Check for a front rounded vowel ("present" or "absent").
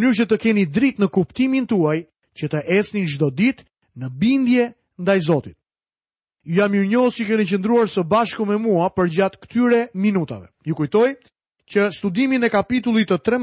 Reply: present